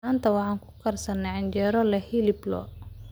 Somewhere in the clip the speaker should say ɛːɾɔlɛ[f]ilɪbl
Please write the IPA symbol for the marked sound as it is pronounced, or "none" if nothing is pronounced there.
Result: h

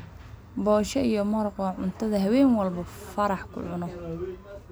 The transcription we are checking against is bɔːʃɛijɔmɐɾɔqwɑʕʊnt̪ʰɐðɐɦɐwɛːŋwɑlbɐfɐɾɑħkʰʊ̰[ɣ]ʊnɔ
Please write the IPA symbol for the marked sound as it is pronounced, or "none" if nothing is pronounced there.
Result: ʕ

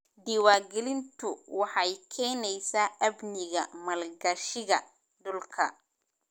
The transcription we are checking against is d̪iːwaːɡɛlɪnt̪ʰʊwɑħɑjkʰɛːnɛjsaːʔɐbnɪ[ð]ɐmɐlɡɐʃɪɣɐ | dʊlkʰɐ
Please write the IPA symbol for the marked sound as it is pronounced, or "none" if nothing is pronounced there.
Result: ɣ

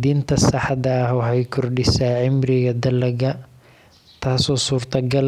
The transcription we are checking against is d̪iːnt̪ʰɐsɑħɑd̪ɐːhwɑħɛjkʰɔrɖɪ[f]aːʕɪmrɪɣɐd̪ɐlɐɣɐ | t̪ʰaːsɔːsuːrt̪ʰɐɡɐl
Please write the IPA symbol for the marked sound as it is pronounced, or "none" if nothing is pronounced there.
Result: s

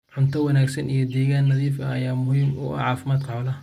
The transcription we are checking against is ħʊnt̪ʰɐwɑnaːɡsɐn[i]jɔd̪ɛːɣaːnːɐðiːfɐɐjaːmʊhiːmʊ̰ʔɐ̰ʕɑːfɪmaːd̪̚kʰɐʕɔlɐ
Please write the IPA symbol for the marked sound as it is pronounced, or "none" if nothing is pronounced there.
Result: i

